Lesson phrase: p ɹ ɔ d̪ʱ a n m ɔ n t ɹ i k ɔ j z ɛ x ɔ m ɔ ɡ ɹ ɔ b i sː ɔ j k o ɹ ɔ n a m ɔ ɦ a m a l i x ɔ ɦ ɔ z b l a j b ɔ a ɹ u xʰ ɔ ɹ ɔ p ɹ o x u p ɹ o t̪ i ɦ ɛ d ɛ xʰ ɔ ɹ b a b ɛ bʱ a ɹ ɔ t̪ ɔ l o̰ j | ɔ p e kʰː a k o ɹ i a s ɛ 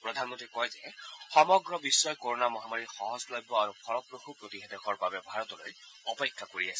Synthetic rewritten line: p ɹ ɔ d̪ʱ a n m ɔ n t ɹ i k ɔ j z ɛ x ɔ m ɔ ɡ ɹ ɔ b i sː ɔ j k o ɹ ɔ n a m ɔ ɦ a m a ɹ i x ɔ ɦ ɔ z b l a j b ɔ a ɹ u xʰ ɔ ɹ ɔ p ɹ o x u p ɹ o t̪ i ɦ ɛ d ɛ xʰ ɔ ɹ b a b ɛ bʱ a ɹ ɔ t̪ ɔ l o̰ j | ɔ p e kʰː a k o ɹ i a s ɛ